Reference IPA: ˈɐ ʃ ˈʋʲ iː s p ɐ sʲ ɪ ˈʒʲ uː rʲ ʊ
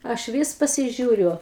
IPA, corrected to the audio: ˈɐ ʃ ˈʋʲ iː s p ɐ sʲ ɪ ˈʒʲ uː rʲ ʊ